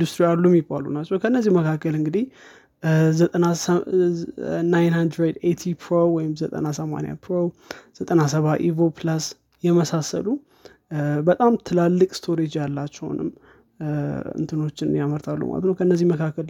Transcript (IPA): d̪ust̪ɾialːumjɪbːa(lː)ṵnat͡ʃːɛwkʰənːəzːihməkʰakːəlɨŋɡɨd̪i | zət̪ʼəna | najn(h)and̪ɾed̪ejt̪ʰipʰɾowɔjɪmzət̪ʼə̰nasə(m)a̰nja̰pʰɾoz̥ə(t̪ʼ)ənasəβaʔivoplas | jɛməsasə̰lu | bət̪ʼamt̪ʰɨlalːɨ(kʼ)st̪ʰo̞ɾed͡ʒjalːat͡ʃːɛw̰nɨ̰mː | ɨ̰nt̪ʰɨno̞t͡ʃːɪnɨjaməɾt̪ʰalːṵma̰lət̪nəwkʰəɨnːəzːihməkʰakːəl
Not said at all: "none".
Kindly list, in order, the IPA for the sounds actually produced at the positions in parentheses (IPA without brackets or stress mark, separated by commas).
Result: l, h, m, t̪ʼ, kʼ